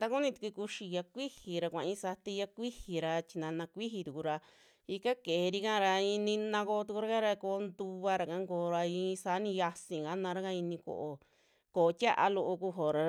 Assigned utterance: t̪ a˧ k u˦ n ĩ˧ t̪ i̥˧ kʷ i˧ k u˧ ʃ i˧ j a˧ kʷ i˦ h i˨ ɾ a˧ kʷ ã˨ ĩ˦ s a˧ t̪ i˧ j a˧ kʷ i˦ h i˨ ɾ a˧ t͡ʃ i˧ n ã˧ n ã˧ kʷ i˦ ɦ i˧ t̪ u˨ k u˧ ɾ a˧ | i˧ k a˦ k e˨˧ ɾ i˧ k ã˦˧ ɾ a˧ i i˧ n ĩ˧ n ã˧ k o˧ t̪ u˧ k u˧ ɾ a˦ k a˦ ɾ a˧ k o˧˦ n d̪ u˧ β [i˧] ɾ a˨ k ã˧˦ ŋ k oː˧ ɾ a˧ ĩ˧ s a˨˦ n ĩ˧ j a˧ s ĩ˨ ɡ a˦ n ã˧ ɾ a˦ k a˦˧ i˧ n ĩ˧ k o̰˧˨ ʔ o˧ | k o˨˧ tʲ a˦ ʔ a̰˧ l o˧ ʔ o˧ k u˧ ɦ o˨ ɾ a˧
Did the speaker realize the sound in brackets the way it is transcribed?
no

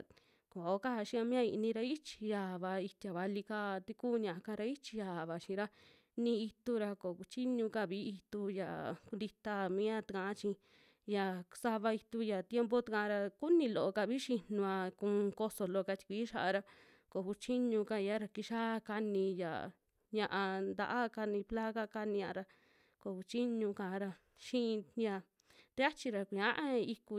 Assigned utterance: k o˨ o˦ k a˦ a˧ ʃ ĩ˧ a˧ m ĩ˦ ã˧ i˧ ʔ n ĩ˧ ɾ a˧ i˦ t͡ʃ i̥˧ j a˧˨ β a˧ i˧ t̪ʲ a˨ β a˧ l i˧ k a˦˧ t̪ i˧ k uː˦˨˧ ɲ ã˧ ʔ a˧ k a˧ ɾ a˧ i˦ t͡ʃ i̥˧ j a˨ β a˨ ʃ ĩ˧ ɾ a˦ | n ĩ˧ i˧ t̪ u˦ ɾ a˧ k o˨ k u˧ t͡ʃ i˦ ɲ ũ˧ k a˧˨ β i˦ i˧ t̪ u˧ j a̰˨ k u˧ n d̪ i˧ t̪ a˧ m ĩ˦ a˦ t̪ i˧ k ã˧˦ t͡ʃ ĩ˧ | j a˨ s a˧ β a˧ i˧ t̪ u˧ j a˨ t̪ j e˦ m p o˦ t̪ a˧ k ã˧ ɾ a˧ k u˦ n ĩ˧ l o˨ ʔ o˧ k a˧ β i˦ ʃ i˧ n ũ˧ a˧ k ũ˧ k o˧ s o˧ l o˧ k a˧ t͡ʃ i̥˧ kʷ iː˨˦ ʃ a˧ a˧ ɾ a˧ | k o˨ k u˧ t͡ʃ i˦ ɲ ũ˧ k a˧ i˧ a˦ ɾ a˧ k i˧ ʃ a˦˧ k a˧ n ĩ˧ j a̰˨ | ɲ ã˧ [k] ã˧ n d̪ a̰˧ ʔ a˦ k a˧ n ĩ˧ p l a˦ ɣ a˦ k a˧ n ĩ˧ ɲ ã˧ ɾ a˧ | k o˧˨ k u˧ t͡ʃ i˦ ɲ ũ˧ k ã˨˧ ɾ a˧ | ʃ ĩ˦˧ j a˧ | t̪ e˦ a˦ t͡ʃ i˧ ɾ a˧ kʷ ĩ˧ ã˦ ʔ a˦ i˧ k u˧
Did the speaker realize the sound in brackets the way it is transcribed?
no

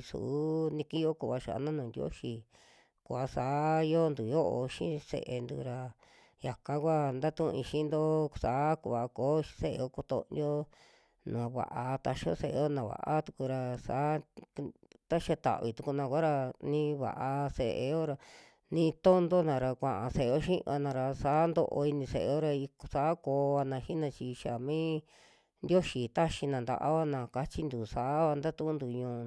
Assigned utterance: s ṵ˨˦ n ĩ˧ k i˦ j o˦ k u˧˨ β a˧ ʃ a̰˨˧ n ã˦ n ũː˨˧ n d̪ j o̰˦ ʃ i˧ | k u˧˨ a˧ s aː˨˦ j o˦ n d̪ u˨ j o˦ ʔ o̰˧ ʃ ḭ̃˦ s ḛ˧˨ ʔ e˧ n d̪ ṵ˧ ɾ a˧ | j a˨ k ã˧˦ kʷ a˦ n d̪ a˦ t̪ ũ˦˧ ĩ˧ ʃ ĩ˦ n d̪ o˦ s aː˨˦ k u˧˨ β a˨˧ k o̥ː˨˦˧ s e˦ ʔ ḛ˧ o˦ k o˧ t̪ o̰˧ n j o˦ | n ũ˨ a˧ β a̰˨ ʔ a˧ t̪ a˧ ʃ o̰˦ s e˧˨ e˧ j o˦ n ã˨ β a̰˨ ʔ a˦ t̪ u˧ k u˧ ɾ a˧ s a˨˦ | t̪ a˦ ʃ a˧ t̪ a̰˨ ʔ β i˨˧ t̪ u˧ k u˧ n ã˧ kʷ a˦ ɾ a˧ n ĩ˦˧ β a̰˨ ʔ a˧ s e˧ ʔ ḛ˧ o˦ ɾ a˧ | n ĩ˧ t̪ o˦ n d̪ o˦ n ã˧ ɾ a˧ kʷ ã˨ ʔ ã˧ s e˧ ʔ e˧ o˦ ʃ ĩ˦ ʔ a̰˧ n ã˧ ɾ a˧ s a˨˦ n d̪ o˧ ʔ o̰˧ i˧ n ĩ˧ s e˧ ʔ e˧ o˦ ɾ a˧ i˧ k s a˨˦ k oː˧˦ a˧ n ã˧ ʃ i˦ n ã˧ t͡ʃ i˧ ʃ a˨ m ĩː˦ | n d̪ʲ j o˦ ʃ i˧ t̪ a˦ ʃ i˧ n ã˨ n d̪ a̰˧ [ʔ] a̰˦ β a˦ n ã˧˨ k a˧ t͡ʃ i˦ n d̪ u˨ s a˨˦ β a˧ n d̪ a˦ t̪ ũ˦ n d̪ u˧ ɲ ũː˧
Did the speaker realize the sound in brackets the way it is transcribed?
yes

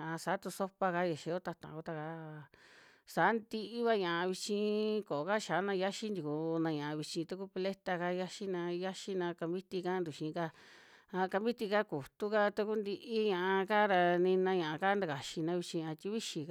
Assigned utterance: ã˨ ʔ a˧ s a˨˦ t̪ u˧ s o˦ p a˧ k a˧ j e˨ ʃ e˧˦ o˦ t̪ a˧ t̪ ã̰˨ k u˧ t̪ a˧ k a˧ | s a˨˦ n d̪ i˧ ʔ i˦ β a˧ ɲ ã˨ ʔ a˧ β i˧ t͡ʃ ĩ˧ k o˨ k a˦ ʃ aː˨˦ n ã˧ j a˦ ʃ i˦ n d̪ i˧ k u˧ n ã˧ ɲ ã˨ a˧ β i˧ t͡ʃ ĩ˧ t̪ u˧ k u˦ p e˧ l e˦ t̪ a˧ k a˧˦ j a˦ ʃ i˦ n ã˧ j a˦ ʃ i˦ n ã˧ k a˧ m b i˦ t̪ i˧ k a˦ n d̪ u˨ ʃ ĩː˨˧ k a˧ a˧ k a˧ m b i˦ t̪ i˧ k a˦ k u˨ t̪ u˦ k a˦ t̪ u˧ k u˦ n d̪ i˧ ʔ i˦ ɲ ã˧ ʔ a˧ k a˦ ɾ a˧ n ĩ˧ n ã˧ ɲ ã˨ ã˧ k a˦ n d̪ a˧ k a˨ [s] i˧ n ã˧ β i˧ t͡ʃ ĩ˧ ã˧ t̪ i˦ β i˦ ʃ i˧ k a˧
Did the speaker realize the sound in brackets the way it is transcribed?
no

